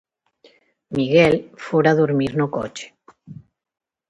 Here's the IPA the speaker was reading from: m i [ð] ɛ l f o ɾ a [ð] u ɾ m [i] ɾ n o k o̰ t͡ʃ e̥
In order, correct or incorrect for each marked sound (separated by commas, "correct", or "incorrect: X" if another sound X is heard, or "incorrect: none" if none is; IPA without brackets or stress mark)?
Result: incorrect: ɣ, correct, correct